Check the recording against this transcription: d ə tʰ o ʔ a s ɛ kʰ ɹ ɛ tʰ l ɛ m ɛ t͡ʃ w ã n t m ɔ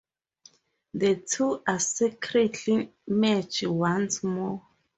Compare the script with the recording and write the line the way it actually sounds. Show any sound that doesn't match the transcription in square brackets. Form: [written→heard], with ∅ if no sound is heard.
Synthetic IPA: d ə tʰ [o→u] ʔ a s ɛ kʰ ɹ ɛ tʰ l [ɛ→i] m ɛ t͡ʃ w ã n [t→s] m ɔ